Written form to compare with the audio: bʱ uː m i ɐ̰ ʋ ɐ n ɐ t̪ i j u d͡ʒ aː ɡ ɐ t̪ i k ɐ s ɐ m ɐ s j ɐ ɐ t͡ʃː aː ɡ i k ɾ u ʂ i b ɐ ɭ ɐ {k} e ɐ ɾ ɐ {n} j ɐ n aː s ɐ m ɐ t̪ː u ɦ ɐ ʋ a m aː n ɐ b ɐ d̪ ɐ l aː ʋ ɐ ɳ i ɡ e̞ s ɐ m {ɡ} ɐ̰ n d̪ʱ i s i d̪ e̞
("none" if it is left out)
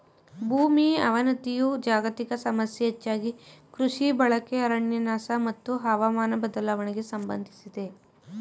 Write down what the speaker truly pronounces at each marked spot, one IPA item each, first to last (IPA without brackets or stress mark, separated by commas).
k, ɳ, b